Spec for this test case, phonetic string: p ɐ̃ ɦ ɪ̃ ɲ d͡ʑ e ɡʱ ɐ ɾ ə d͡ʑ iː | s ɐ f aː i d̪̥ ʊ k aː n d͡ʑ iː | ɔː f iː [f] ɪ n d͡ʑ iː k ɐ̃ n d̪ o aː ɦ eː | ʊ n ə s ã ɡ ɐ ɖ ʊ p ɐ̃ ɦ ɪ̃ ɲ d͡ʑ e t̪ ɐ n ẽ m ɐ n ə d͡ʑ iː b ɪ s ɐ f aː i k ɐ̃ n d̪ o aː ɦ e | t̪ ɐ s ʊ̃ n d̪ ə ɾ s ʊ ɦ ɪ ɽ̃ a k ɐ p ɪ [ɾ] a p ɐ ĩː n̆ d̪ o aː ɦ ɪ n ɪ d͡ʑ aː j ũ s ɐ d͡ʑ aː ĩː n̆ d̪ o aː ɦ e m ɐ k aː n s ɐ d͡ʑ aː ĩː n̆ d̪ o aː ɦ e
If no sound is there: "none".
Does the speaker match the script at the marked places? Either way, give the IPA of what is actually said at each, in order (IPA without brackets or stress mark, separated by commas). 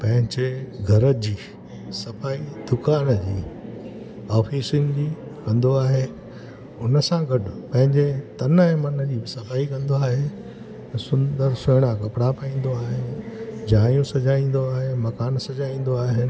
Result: s, ɽ